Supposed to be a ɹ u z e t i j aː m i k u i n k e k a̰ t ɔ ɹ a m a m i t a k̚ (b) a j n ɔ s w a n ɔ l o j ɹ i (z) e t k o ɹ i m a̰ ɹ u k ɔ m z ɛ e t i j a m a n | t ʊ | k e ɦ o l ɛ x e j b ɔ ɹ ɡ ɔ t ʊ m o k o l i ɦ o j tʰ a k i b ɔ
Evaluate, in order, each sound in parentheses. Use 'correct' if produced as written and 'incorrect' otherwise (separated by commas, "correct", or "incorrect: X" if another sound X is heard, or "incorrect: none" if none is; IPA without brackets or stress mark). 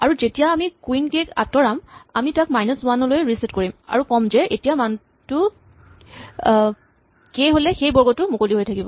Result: incorrect: m, incorrect: s